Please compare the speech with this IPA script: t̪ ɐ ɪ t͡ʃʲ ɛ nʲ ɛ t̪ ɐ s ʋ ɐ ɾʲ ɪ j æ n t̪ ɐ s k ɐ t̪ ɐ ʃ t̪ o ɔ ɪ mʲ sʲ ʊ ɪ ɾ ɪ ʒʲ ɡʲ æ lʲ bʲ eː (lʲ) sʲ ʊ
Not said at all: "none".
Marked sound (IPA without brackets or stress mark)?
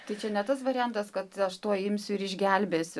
none